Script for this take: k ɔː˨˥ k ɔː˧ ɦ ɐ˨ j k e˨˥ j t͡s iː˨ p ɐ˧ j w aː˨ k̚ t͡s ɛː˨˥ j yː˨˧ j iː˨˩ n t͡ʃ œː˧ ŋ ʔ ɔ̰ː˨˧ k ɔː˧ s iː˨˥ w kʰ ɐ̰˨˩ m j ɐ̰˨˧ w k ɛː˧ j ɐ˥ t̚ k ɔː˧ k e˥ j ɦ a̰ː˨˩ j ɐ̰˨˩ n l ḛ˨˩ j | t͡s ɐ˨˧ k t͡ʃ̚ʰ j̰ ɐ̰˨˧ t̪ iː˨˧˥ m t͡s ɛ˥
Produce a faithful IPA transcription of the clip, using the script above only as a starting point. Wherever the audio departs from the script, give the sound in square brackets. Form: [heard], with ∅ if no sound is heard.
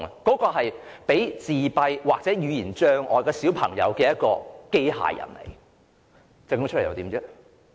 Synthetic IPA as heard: k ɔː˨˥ k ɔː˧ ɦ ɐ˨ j [p] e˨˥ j t͡s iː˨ p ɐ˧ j w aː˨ k̚ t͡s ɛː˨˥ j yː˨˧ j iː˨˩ n t͡ʃ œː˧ ŋ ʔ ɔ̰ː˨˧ k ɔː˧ s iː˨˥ w [pʰ] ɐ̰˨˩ [ŋ] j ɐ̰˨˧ w k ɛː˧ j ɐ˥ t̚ k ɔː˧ k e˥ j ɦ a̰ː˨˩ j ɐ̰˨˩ n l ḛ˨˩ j | t͡s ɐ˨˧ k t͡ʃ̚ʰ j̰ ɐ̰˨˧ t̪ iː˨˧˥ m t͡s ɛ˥